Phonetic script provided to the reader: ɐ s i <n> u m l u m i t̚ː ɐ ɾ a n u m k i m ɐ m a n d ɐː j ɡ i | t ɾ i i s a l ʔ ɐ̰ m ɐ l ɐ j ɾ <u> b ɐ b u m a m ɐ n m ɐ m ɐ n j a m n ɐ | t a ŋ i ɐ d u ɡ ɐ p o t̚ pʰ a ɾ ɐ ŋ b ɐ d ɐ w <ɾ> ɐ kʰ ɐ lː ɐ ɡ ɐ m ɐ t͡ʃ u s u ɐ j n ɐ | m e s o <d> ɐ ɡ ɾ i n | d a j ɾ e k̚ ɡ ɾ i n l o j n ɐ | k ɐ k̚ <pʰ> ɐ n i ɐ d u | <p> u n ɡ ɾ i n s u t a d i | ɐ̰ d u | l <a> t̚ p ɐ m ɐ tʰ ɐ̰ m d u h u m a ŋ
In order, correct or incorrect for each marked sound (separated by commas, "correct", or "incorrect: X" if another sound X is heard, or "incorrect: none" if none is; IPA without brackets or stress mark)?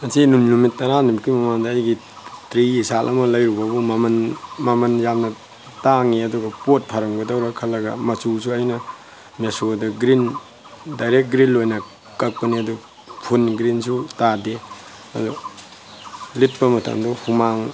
correct, correct, correct, correct, incorrect: p, incorrect: pʰ, incorrect: i